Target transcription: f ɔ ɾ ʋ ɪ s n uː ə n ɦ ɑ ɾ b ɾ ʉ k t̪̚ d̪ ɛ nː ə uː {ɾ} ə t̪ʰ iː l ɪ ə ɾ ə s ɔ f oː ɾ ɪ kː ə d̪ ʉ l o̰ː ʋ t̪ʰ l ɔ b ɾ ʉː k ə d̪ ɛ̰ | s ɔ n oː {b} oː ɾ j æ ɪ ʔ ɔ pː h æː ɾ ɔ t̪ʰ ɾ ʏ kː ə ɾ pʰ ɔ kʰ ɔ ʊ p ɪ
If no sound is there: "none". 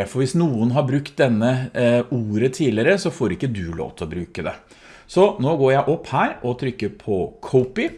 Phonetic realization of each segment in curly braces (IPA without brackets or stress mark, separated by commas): ɾ, ɡ